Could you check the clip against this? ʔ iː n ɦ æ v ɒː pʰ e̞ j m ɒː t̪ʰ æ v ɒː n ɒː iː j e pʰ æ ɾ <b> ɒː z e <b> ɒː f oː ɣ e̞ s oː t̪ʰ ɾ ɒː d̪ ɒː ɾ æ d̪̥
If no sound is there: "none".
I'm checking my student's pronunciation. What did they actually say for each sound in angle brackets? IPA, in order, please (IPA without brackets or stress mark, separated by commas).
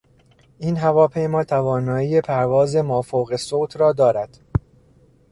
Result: v, m